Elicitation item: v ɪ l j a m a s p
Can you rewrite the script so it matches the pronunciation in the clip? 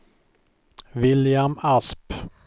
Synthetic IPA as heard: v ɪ l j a m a s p